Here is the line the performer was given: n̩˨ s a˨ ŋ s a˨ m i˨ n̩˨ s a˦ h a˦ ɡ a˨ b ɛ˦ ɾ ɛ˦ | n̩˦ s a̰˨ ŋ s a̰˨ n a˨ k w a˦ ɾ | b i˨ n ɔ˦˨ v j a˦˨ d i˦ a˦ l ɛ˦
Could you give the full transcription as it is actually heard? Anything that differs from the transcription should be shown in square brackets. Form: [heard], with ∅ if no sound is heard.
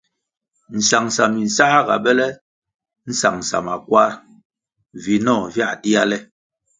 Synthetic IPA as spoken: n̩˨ s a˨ ŋ s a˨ m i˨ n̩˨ s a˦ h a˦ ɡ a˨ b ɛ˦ [l] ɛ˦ | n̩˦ s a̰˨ ŋ s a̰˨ [m] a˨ k w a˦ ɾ | [v] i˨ n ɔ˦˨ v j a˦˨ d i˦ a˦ l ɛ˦